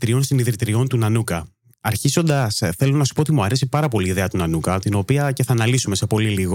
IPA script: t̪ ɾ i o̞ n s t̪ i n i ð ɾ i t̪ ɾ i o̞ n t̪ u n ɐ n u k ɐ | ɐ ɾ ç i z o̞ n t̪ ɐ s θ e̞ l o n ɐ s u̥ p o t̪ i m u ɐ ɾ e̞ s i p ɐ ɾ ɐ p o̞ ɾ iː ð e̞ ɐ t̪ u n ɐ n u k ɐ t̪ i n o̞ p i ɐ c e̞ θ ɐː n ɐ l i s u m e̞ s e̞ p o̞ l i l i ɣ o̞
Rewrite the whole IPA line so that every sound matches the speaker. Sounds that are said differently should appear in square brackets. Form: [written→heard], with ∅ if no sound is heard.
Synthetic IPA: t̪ ɾ i o̞ n s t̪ i n i ð ɾ i t̪ ɾ i o̞ n t̪ u n ɐ n u k ɐ | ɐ ɾ ç i z o̞ n [t̪→d̪] ɐ s θ e̞ l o n ɐ s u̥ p o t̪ i m u ɐ ɾ e̞ s i p ɐ ɾ ɐ p o̞ [ɾ→l] iː ð e̞ ɐ t̪ u n ɐ n u k ɐ t̪ i n o̞ p i ɐ c e̞ θ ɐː n ɐ l i s u m e̞ s e̞ p o̞ l i l i ɣ o̞